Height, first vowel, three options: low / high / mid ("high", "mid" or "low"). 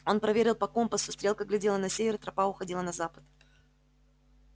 mid